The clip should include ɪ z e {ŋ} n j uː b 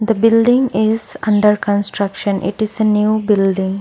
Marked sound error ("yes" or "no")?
yes